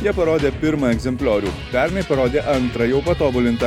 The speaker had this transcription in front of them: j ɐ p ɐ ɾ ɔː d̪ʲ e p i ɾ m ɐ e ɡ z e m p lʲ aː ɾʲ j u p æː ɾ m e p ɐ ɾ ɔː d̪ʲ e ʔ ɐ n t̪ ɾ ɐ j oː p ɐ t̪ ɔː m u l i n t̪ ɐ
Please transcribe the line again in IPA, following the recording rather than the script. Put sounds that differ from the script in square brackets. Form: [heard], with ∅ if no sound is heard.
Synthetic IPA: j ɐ p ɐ ɾ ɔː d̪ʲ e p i ɾ m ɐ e ɡ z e m p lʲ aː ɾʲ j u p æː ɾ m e p ɐ ɾ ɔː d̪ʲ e ʔ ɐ n t̪ ɾ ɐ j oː p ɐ t̪ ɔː [b] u l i n t̪ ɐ